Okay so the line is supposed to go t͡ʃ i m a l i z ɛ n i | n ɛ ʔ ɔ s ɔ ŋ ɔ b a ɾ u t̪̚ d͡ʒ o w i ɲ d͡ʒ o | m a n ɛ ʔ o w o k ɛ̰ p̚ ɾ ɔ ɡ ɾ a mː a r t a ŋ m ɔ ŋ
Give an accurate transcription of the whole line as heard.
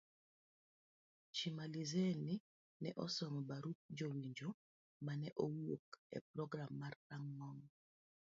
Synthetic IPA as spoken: t͡ʃ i m a l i z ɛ n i | n ɛ ʔ ɔ s ɔ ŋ ɔ b a ɾ u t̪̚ d͡ʒ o w i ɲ d͡ʒ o | m a n ɛ ʔ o w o k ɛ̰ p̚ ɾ ɔ ɡ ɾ a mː a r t a ŋ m ɔ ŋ